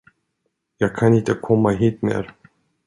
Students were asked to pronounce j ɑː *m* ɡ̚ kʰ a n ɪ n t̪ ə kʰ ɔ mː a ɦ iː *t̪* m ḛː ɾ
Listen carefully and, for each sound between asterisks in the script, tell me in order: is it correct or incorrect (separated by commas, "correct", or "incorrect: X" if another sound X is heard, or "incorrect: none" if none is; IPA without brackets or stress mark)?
incorrect: none, correct